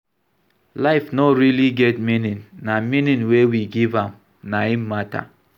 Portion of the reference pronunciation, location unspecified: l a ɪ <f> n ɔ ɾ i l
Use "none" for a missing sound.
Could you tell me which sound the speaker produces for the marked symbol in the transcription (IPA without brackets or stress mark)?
f